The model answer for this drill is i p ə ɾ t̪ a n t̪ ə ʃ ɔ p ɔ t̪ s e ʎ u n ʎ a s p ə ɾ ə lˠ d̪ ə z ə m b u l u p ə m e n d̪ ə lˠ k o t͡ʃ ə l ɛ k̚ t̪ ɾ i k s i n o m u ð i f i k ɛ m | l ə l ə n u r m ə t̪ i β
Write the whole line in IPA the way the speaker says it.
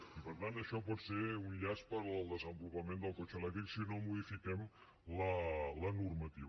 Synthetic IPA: i p ə ɾ t̪ a n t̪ ə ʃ ɔ p ɔ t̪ s e u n ʎ a s p ə ɾ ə lˠ d̪ ə z ə m b u l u p ə m e n d̪ ə lˠ k o t͡ʃ ə l ɛ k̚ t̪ ɾ i k s i n o m u ð i f i k ɛ m | l ə l ə n u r m ə t̪ i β